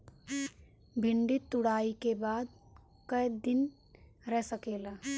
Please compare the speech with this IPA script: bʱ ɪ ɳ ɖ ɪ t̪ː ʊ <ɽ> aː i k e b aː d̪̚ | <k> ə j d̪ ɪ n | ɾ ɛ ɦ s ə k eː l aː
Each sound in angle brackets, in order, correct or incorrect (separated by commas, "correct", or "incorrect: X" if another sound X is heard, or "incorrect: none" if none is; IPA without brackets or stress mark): correct, correct